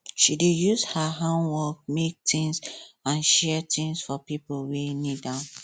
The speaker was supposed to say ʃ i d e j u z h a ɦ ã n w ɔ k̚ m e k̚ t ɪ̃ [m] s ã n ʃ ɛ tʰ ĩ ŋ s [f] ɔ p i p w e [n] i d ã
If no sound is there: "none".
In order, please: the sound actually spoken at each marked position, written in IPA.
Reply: ŋ, f, n

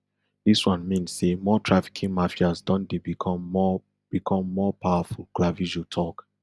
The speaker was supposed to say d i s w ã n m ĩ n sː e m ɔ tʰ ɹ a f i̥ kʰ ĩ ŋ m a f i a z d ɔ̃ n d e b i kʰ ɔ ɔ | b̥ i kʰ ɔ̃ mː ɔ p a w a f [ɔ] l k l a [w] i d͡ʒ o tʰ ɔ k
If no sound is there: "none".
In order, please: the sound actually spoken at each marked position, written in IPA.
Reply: u, v

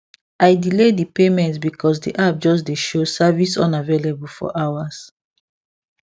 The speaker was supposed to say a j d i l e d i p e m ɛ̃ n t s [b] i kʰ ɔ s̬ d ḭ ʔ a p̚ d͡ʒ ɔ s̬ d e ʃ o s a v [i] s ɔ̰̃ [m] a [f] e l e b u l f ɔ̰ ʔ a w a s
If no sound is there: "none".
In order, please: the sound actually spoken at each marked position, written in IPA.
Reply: b, i, n, v

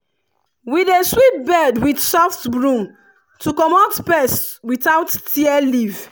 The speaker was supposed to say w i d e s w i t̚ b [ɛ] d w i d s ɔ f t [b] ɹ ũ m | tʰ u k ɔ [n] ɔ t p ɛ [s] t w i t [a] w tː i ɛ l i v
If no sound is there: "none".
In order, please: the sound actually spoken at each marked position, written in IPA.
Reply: ɛ, b, m, s, a

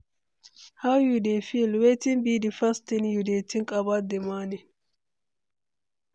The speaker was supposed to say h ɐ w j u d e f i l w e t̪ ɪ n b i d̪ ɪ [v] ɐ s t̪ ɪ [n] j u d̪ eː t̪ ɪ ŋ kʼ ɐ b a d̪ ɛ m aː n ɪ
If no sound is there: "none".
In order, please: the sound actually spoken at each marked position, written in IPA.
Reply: f, n

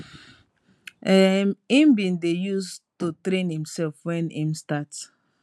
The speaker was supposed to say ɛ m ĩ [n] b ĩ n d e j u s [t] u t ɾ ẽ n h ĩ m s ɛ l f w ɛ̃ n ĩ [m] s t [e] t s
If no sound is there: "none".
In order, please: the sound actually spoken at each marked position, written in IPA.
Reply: m, t, m, a

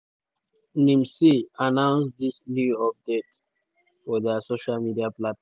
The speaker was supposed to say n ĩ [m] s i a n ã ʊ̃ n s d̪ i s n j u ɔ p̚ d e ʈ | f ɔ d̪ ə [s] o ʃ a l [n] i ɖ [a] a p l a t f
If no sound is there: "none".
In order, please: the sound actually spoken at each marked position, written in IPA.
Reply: m, s, m, i

